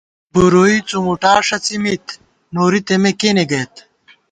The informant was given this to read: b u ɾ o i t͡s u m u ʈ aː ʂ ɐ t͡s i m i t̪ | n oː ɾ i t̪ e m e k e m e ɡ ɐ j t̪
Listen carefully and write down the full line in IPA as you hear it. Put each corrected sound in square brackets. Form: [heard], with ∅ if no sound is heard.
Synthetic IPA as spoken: b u ɾ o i t͡s u m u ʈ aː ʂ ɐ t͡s i m i t̪ | n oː ɾ i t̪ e m e k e [n] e ɡ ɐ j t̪